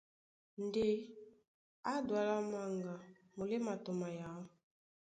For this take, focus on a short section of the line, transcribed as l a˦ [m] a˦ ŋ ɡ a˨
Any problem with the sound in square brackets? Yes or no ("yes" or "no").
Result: no